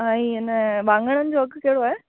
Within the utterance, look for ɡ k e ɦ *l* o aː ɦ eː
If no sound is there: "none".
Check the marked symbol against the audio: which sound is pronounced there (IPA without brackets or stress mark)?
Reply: ɽ